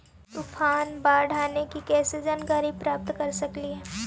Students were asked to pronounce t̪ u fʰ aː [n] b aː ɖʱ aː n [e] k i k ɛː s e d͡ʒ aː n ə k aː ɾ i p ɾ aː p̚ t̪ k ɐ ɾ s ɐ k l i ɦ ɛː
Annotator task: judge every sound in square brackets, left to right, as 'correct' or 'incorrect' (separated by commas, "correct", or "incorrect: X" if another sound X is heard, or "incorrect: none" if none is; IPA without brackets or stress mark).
correct, correct